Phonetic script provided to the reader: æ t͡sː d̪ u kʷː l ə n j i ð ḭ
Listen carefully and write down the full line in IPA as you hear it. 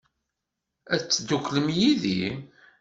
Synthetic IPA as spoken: æ t͡sː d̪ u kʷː l ə m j i ð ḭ